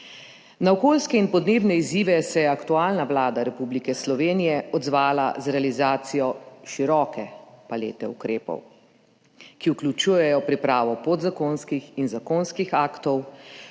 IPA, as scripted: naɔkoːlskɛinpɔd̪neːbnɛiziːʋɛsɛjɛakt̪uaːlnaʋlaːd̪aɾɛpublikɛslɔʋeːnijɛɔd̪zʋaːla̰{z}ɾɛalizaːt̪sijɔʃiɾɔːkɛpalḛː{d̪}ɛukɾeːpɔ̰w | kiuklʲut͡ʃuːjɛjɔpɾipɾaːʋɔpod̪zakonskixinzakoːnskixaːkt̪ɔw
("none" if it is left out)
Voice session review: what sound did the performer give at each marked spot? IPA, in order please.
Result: z, t̪

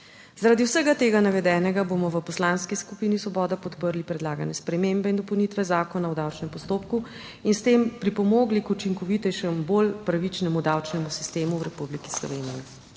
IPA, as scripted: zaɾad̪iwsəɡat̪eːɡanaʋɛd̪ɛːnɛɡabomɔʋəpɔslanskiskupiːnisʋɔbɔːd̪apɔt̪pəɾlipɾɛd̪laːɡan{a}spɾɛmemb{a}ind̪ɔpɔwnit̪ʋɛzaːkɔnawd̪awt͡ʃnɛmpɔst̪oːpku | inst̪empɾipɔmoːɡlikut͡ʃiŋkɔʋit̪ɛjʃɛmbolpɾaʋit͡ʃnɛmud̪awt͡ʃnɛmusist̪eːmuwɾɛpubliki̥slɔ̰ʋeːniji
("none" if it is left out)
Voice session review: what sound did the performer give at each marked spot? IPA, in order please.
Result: ɛ, ɛ

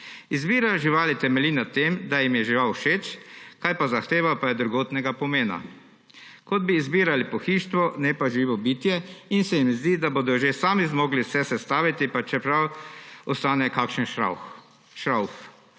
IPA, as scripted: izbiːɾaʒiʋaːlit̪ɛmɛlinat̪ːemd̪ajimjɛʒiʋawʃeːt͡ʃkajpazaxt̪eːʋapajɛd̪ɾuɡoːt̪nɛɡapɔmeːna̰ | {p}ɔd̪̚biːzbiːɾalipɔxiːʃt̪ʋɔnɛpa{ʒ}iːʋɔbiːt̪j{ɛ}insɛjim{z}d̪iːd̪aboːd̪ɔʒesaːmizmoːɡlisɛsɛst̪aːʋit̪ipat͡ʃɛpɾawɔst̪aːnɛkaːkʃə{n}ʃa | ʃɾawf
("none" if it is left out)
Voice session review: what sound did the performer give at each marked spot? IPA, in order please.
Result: k, ʒ, ɛ, z, n

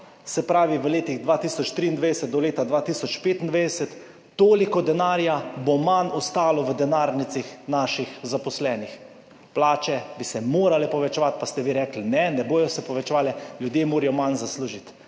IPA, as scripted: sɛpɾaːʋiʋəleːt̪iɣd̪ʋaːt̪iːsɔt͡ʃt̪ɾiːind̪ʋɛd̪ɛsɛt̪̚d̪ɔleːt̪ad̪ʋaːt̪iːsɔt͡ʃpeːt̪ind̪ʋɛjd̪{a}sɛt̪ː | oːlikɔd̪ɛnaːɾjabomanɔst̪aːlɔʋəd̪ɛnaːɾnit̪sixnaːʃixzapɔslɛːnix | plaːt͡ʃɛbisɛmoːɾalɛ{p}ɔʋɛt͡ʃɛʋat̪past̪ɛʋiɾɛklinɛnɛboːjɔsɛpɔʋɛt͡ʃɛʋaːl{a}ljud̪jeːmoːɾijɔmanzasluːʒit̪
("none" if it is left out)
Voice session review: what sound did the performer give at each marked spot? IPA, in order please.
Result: ɛ, p, ɛ

